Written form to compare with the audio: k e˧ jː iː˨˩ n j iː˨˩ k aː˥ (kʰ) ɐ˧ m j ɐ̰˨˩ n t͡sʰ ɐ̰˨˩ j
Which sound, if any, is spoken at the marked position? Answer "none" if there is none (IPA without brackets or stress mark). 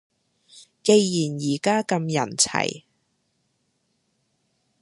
k